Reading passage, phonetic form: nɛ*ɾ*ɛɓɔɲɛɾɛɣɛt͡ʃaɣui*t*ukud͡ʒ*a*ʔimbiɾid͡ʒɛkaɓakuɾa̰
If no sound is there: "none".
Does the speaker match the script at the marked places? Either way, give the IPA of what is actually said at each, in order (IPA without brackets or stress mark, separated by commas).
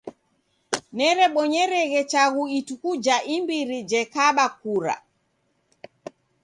ɾ, t, a